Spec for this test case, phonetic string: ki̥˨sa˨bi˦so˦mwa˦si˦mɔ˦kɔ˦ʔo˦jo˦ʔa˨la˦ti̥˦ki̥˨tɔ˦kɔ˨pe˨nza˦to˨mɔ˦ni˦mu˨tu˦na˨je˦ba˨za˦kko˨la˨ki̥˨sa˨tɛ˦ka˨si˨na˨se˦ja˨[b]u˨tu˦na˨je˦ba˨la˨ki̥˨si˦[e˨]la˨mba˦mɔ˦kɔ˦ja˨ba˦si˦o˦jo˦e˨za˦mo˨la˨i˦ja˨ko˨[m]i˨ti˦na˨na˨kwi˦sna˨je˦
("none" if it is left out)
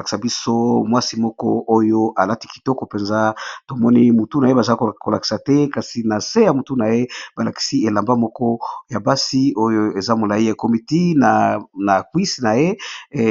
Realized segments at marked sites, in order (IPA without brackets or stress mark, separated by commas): m, e˨, m